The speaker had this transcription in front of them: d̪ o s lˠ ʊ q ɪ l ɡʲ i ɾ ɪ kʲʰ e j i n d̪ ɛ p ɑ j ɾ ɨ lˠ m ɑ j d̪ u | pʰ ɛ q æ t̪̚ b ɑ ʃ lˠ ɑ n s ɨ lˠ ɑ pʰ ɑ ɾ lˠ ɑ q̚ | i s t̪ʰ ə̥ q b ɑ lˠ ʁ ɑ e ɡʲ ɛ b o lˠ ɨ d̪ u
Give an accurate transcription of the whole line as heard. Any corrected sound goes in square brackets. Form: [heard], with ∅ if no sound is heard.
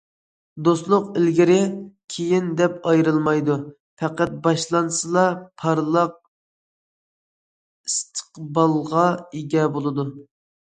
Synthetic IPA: d̪ o s lˠ ʊ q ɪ l ɡʲ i ɾ ɪ kʲʰ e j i n d̪ ɛ p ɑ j ɾ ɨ lˠ m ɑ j d̪ u | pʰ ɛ q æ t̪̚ b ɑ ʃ lˠ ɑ n s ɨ lˠ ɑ pʰ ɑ ɾ lˠ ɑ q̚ | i s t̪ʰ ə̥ q b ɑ lˠ ʁ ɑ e ɡʲ ɛ b o lˠ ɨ d̪ u